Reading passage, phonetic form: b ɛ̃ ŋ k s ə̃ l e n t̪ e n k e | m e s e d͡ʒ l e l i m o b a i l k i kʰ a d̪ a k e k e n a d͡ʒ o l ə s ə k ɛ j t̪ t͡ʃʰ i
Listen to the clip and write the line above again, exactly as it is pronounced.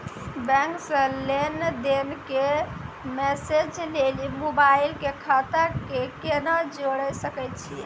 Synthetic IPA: b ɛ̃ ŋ k s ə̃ l e n d̪ e n k e | m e s e d͡ʒ l e l i m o b a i l k e kʰ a t̪ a k e k e n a d͡ʒ o ɽ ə s ə k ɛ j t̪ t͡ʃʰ i